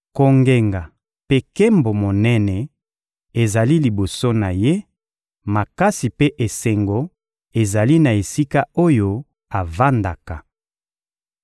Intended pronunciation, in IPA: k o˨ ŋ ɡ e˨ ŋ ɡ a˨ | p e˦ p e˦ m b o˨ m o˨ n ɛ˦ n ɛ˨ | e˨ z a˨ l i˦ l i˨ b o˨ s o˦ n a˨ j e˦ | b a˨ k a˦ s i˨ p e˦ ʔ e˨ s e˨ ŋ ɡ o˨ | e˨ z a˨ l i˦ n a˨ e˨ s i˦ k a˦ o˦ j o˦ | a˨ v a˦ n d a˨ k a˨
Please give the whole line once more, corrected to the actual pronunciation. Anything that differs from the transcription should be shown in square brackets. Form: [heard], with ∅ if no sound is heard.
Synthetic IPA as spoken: k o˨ ŋ ɡ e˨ ŋ ɡ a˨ | p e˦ [k] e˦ m b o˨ m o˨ n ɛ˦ n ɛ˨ | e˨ z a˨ l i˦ l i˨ b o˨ s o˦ n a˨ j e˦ | [m] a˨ k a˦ s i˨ p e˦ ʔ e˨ s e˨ ŋ ɡ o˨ | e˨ z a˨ l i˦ n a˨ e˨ s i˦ k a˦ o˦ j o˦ | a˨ v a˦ n d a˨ k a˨